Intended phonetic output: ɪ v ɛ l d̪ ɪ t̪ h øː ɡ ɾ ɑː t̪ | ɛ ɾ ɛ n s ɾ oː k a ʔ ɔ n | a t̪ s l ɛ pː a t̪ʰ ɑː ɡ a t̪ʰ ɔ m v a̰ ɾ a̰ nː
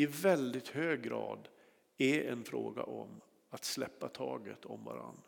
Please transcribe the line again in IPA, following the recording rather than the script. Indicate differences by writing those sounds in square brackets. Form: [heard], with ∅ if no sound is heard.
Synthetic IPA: ɪ v ɛ l d̪ ɪ t̪ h øː ɡ ɾ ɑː [d̪] | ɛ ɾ ɛ n [f] ɾ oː [ɡ] a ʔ ɔ [m] | a t̪ s l ɛ pː a t̪ʰ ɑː ɡ [ə] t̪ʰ ɔ m v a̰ ɾ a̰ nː